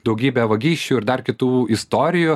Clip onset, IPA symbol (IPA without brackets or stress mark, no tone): d̪